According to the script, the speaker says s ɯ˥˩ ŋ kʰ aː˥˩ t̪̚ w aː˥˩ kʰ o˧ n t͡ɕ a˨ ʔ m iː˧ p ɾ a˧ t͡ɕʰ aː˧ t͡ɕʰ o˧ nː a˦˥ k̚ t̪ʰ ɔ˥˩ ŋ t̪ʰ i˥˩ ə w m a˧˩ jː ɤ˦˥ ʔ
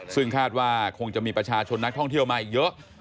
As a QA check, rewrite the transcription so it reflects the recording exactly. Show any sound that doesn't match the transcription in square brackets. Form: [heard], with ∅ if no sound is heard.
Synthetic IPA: s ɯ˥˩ ŋ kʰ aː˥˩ t̪̚ w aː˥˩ kʰ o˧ [ŋ] t͡ɕ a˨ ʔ m iː˧ p ɾ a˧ t͡ɕʰ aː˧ t͡ɕʰ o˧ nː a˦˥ k̚ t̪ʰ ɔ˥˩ ŋ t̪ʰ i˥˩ ə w m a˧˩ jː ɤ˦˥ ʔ